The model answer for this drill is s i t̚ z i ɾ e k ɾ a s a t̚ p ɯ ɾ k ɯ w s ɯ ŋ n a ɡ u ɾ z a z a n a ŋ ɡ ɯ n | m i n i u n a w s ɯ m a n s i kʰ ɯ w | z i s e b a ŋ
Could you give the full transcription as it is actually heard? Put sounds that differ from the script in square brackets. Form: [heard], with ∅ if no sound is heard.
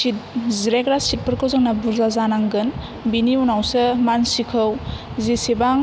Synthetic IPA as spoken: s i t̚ z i ɾ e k ɾ a s [i] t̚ p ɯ ɾ k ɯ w [z] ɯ ŋ n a [b] u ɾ z a z a n a ŋ ɡ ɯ n | [b] i n i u n a w s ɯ m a n s i kʰ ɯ w | z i s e b a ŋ